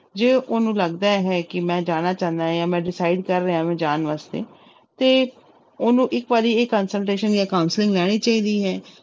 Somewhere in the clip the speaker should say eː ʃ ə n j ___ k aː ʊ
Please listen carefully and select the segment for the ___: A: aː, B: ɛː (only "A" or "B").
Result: A